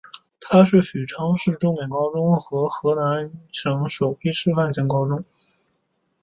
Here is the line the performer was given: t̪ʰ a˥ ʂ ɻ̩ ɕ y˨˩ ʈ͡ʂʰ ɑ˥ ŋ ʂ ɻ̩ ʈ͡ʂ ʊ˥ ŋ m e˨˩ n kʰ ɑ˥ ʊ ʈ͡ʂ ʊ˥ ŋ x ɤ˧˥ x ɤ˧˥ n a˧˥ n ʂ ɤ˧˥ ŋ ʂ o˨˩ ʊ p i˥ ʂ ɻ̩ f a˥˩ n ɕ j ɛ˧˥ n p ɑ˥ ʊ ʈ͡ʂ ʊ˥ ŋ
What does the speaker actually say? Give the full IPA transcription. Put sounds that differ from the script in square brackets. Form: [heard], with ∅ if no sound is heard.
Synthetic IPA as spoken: t̪ʰ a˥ ʂ ɻ̩ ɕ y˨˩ ʈ͡ʂʰ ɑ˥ ŋ ʂ ɻ̩ ʈ͡ʂ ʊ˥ ŋ m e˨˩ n [k] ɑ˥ ʊ ʈ͡ʂ ʊ˥ ŋ x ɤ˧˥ x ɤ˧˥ n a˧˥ n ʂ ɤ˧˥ ŋ ʂ o˨˩ ʊ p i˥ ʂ ɻ̩ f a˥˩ n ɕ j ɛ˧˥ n [k] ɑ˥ ʊ ʈ͡ʂ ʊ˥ ŋ